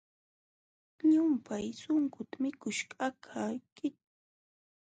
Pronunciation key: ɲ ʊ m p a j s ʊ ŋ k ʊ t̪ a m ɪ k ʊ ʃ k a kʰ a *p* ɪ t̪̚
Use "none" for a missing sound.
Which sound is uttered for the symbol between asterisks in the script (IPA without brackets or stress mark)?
k